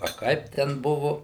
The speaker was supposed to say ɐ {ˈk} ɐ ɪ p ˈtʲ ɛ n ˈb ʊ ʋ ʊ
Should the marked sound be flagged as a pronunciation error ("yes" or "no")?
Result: no